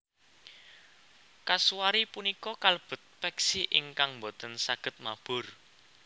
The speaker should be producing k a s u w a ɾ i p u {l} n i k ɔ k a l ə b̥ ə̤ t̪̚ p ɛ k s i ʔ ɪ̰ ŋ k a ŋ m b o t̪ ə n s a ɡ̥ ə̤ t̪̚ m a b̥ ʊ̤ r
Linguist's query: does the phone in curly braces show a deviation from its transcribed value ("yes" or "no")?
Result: yes